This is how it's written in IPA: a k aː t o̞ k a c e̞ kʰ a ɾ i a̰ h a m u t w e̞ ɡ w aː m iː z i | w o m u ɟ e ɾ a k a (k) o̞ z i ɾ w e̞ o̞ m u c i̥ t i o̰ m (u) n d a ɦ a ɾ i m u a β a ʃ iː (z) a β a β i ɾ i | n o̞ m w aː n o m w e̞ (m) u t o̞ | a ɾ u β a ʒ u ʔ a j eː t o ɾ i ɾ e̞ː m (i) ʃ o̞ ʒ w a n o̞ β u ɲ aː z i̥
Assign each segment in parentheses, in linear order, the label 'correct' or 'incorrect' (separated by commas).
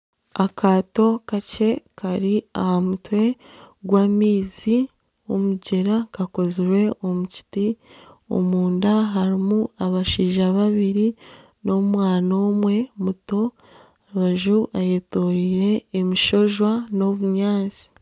correct, incorrect, incorrect, correct, correct